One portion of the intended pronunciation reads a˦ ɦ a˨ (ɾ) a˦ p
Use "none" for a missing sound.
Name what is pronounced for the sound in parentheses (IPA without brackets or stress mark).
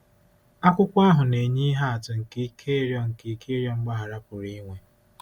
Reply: ɾ